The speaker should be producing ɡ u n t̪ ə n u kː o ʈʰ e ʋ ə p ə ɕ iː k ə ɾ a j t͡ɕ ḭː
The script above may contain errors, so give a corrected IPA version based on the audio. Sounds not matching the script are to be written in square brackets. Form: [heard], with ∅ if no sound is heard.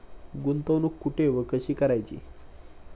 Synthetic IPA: ɡ u n t̪ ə n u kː [u] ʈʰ e ʋ ə [k] ə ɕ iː k ə ɾ a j t͡ɕ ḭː